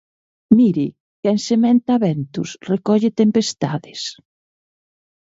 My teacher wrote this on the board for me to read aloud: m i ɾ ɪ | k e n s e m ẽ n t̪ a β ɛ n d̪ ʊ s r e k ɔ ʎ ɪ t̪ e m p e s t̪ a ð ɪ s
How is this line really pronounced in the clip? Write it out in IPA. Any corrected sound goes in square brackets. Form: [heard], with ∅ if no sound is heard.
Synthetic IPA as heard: m i ɾ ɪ | k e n s e m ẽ n t̪ a β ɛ n [t̪] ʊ s r e k ɔ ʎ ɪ t̪ e m p e s t̪ a ð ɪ s